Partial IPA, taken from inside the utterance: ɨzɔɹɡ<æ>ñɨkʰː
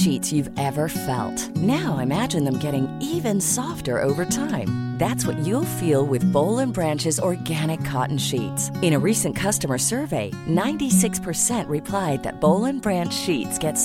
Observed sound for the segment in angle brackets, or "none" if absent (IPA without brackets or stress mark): æ